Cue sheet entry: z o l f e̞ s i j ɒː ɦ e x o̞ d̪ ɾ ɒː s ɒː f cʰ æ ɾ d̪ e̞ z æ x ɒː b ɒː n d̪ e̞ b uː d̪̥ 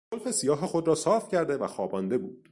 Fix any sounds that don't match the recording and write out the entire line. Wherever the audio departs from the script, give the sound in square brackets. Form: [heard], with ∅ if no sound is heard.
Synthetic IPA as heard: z o l f e̞ s i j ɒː ɦ e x o̞ d̪ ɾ ɒː s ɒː f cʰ æ ɾ d̪ e̞ [v] æ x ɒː b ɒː n d̪ e̞ b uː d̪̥